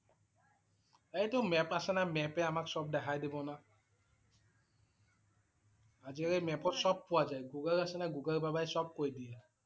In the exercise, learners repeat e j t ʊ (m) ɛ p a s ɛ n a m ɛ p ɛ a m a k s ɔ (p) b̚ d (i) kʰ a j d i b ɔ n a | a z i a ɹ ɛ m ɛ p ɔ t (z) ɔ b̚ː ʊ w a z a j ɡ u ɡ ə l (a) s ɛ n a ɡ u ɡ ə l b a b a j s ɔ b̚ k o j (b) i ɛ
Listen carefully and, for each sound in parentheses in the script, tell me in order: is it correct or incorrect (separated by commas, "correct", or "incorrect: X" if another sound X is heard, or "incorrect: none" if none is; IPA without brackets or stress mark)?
correct, incorrect: none, incorrect: ɛ, incorrect: s, correct, incorrect: d